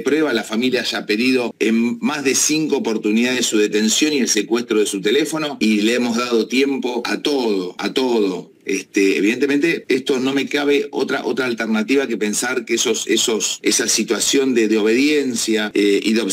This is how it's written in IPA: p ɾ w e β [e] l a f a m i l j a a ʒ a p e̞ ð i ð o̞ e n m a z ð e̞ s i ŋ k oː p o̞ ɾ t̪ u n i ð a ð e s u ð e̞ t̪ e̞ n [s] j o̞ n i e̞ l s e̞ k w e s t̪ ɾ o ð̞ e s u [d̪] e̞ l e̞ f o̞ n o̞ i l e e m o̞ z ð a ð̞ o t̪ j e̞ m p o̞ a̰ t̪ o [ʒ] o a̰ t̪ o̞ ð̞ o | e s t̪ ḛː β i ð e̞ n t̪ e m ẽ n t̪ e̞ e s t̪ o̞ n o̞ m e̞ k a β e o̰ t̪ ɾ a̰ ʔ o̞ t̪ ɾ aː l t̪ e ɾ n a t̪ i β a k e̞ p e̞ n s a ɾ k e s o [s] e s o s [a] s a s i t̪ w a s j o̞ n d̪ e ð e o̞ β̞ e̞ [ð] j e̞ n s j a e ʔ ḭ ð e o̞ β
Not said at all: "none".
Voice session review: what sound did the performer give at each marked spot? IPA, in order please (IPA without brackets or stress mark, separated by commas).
a, s, t̪, ð, s, e, ð